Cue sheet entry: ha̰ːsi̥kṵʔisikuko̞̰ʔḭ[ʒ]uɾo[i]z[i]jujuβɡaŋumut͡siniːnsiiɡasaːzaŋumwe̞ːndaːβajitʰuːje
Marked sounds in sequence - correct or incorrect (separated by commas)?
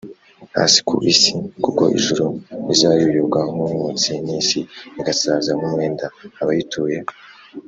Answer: correct, correct, incorrect